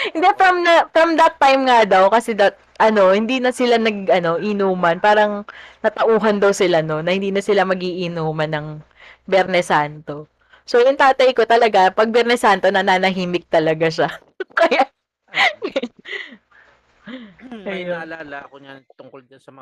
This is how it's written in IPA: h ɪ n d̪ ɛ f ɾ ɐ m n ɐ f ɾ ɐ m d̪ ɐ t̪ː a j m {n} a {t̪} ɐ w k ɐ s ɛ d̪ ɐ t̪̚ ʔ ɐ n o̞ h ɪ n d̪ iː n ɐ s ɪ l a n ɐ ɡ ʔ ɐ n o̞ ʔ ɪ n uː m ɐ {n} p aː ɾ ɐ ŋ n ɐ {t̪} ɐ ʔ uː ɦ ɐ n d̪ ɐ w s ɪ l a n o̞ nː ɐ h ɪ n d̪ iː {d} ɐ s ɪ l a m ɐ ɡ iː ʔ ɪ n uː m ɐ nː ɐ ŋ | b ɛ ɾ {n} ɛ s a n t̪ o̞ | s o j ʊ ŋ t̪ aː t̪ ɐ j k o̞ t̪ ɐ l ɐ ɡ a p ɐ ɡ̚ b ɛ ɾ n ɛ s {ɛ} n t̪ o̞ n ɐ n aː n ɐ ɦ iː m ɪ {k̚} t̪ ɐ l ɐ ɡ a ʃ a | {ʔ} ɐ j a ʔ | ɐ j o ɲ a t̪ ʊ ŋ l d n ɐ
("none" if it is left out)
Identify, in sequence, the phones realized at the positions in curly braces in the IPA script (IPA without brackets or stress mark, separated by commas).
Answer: ŋ, d̪, n, t̪, n, n, a, k̚, k